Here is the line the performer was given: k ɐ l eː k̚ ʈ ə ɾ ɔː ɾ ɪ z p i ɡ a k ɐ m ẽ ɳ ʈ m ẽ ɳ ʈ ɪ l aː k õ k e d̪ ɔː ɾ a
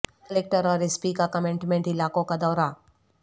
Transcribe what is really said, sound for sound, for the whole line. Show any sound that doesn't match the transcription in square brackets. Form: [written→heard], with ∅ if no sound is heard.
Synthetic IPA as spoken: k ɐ l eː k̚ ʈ ə ɾ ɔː ɾ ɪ [z→s] p i [ɡ→k] a k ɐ m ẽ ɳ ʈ m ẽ ɳ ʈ ɪ l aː k õ k [e→a] d̪ ɔː ɾ a